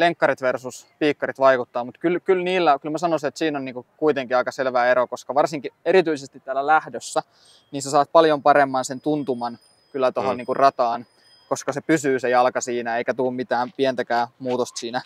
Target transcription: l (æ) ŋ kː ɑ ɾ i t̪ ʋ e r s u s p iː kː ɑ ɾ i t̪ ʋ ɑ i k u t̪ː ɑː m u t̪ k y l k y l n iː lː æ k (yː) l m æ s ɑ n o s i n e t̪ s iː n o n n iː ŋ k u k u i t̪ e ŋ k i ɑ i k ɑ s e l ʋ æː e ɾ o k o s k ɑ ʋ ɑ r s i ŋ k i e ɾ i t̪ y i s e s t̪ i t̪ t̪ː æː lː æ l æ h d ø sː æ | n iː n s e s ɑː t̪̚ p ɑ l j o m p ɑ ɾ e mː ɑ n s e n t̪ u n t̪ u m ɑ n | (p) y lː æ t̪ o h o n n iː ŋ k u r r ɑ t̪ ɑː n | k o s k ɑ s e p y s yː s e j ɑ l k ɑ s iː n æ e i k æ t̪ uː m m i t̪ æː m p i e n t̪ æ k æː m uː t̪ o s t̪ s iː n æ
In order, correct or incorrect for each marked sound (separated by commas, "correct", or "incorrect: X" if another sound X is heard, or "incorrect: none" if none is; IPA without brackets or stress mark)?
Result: incorrect: e, incorrect: y, incorrect: k